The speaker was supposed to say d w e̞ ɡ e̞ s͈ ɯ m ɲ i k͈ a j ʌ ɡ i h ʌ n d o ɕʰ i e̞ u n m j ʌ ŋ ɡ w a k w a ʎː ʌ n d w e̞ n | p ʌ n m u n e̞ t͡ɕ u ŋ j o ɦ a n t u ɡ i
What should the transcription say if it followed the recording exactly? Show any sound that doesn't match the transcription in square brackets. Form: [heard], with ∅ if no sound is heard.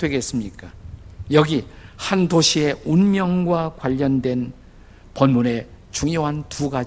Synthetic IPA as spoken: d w e̞ ɡ e̞ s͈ ɯ m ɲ i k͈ a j ʌ ɡ i h [a] n d o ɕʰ i e̞ u n m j ʌ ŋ ɡ w a k w a ʎː ʌ n d w e̞ n | p ʌ n m u n e̞ t͡ɕ u ŋ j o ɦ a n t u ɡ [a]